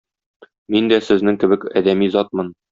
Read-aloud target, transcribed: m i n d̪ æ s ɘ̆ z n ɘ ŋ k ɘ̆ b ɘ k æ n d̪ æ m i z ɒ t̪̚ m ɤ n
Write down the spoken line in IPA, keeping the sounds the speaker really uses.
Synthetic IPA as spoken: m i n d̪ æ s ɘ̆ z n ɘ ŋ k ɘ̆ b ɘ k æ d̪ æ m i z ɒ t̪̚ m ɤ n